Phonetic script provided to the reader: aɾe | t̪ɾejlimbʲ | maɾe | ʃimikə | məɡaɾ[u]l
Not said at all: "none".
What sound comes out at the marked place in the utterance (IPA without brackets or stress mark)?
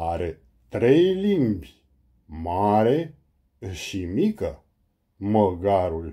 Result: u